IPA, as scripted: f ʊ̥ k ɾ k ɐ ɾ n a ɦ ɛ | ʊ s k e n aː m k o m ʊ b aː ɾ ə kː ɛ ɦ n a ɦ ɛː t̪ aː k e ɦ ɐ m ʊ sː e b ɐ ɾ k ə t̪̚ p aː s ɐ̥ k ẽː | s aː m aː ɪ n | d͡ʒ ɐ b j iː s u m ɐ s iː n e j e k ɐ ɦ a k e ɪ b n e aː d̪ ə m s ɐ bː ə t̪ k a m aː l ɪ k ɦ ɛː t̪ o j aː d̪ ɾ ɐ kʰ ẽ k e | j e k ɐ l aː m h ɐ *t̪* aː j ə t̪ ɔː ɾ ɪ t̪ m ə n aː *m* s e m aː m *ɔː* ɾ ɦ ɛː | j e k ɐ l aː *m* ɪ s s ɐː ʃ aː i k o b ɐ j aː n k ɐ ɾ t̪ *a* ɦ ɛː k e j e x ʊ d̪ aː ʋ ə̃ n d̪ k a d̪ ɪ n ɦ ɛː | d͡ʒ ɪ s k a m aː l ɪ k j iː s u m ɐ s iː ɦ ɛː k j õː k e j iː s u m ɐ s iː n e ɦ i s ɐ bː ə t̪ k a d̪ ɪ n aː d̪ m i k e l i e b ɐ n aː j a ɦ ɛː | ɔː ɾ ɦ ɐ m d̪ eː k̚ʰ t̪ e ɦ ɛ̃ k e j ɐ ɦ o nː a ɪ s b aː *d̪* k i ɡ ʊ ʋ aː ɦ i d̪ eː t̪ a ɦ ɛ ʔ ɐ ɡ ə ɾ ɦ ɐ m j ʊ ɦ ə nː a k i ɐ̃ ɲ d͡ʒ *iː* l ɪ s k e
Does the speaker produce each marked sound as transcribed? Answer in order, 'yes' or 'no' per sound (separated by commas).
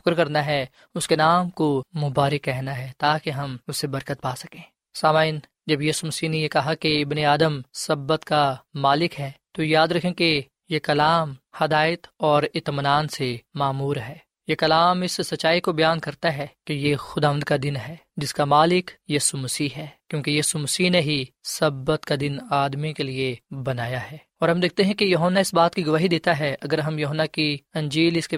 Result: no, no, no, yes, yes, no, yes